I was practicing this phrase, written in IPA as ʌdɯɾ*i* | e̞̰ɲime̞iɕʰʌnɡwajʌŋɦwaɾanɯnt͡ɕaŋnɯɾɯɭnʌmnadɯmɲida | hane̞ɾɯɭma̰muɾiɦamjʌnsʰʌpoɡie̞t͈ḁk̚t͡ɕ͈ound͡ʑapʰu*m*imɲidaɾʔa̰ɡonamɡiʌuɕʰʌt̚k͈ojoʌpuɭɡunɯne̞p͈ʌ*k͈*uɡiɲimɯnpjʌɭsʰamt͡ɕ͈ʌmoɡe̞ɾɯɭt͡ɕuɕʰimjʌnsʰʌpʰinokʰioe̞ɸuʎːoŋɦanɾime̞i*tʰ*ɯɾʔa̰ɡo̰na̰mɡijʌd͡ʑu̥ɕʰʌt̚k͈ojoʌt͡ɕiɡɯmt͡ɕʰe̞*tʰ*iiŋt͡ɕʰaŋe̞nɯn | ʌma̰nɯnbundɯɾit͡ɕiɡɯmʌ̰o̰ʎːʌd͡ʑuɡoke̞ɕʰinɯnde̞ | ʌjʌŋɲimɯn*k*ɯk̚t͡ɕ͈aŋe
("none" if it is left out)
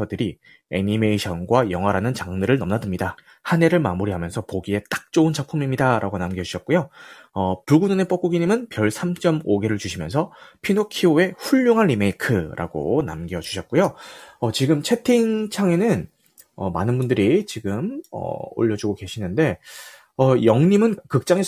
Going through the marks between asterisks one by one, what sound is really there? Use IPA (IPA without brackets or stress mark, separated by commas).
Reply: i, m, k͈, kʰ, tʰ, k